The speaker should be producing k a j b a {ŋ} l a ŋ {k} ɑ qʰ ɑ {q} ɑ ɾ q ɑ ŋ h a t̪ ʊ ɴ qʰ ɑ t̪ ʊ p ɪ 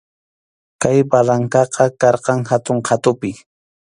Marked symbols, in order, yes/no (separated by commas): no, yes, no